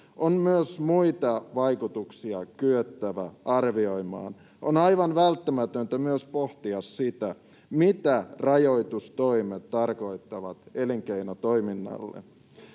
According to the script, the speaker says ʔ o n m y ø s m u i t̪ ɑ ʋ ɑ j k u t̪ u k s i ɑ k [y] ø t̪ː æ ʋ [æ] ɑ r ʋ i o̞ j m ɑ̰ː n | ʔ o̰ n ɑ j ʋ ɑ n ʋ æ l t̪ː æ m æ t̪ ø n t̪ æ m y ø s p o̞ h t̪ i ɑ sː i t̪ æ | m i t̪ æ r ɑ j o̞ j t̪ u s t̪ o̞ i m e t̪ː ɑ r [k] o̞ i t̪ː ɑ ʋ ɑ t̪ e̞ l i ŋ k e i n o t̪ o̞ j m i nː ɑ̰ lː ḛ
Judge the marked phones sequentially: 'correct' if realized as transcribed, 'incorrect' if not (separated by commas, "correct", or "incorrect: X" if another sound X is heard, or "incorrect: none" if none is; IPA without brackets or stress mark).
correct, correct, correct